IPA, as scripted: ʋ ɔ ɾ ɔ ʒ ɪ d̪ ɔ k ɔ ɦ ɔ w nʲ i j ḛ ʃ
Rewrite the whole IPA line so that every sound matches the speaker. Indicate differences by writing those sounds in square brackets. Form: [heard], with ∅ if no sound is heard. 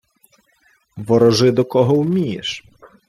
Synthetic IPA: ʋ ɔ ɾ ɔ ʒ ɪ d̪ ɔ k ɔ ɦ ɔ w [mʲ] i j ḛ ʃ